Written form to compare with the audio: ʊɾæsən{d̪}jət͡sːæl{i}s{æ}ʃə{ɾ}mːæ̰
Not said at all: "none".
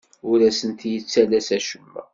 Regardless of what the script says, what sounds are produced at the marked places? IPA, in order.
t̪, æ, æ, none

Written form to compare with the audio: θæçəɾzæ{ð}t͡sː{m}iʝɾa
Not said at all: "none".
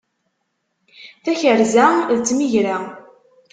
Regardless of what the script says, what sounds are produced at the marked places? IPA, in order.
ð, m

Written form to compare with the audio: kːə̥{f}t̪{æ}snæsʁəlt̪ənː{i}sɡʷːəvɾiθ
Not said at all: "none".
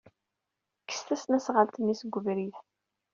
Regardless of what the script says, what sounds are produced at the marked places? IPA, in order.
s, æ, i

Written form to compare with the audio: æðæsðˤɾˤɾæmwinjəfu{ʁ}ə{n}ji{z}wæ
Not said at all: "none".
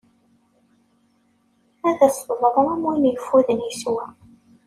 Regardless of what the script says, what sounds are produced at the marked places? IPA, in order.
ð, n, s

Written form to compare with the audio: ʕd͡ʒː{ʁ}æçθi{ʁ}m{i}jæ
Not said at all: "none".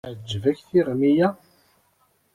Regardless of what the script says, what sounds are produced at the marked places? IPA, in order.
v, ʁ, i

